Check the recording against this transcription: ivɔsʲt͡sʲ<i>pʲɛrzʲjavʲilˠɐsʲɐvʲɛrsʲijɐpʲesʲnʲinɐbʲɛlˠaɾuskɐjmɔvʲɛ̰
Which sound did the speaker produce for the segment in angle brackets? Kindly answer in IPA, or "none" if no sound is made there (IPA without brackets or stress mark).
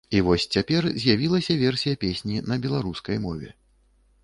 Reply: a